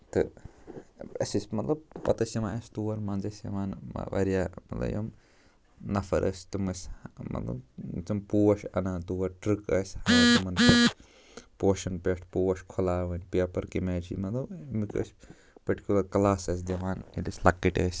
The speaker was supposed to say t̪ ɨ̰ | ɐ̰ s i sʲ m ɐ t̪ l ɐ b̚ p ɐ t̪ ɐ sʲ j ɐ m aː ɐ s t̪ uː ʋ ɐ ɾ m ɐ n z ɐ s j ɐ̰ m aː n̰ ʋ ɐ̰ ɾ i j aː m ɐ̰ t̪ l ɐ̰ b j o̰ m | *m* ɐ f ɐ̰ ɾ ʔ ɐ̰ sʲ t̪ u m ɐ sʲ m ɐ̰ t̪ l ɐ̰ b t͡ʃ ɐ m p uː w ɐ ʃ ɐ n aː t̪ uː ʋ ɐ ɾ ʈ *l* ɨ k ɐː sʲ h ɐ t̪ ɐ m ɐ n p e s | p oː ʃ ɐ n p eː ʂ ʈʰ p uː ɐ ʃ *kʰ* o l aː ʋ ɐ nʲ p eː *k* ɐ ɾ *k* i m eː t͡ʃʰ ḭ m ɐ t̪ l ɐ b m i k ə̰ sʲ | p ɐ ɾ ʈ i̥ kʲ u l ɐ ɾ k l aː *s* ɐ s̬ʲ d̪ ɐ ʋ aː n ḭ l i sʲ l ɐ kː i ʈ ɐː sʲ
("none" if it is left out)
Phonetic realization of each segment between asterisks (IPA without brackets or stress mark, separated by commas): n, ɾ, kʰ, p, k, s